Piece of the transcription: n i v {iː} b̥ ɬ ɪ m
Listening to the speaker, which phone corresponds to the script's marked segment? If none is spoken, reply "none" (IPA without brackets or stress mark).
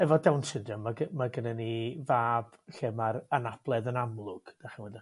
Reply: aː